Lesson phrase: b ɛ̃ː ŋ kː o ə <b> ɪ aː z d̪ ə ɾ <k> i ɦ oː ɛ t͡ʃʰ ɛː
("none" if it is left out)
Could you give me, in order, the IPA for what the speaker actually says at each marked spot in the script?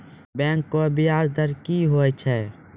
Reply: b, k

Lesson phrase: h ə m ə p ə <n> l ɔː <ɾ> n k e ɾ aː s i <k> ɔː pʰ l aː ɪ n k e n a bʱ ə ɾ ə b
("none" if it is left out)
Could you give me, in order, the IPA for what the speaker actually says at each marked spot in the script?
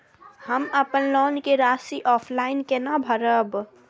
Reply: n, none, ʔ

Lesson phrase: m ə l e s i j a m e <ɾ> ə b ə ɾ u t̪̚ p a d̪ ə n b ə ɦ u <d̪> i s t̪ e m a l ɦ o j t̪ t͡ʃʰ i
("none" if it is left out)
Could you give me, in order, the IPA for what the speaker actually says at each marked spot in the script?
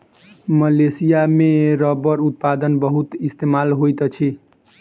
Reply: ɾ, t̪

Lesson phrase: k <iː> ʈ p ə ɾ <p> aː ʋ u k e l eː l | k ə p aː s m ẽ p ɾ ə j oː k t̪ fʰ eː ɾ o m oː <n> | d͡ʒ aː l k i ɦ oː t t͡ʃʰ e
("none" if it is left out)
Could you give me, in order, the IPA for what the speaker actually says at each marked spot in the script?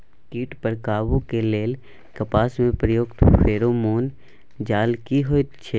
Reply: iː, k, n

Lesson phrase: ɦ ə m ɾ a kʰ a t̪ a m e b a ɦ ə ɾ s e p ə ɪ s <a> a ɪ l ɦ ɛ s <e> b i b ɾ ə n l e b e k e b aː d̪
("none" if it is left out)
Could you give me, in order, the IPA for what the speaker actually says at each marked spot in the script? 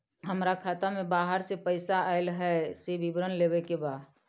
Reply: a, e

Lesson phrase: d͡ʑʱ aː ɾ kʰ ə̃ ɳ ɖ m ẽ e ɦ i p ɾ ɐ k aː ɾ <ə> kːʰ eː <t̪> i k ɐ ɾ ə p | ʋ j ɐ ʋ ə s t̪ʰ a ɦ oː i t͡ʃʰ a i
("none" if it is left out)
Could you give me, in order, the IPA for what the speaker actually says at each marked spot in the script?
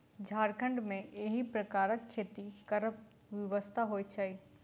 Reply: ə, t̪

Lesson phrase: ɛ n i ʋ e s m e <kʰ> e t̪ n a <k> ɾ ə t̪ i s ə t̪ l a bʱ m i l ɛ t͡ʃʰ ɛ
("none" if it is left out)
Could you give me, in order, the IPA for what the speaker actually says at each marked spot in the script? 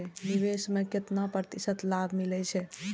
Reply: k, p

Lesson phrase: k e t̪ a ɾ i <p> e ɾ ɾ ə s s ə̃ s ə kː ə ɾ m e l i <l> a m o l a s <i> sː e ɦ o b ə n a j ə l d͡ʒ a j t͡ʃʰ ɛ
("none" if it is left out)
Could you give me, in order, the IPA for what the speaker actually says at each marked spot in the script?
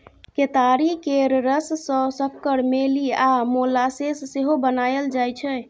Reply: k, none, e

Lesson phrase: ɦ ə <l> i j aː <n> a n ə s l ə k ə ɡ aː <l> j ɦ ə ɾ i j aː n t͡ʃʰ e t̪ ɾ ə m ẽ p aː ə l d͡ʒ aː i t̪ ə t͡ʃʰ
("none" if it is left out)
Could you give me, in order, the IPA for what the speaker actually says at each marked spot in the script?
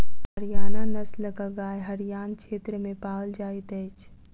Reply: ɾ, n, none

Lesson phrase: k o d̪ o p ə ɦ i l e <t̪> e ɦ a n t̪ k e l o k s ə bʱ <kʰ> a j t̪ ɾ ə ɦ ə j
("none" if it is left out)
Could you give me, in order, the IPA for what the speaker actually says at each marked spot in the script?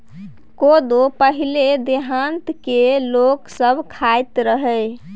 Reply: d̪, kʰ

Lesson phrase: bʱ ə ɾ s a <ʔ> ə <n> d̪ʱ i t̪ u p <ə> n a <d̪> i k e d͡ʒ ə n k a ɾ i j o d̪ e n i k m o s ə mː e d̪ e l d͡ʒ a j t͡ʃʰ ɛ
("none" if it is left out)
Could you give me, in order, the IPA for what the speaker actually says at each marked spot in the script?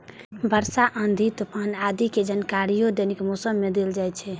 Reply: ʔ, n, a, d̪

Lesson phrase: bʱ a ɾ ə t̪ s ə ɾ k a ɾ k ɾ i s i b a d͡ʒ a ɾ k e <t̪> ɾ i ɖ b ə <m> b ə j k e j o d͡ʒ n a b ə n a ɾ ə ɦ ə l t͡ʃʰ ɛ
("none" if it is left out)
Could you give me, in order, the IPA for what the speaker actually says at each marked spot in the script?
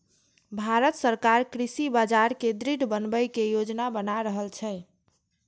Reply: d̪, n

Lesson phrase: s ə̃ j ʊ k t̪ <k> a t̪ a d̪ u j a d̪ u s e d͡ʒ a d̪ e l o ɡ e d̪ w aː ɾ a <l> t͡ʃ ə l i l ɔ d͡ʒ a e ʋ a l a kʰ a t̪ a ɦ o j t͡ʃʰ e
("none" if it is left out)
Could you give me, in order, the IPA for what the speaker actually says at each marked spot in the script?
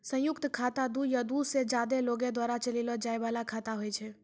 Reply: kʰ, none

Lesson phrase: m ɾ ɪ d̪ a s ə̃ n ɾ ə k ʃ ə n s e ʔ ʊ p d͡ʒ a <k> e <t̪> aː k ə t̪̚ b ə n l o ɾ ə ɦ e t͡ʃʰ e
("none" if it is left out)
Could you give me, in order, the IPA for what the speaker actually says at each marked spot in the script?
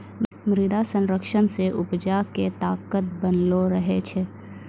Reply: k, t̪

